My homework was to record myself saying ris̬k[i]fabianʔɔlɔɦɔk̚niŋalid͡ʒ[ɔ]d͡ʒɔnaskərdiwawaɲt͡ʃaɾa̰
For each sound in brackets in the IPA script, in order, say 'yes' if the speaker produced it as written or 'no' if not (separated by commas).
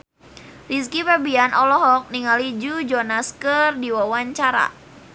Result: yes, no